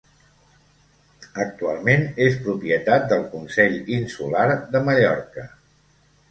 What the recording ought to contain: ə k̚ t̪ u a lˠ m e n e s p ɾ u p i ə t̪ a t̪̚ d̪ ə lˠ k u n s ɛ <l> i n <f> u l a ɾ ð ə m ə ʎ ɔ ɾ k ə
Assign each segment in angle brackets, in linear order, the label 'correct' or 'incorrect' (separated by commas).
incorrect, incorrect